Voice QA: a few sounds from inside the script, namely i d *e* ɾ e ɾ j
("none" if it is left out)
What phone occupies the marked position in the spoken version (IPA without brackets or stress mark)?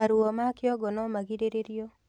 e